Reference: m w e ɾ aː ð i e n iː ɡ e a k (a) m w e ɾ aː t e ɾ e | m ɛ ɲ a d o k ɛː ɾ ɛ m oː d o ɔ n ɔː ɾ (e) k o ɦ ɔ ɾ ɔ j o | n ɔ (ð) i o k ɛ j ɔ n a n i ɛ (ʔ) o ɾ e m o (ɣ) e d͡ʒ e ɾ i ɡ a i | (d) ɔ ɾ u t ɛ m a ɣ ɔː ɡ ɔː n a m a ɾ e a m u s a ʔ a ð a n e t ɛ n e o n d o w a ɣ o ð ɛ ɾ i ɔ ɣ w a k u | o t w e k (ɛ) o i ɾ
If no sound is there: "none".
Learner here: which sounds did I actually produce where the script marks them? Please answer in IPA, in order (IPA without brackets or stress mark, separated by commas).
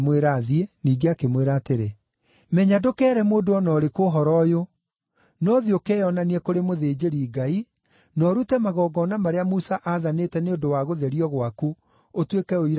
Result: e, e, ð, k, ð, n, ɛ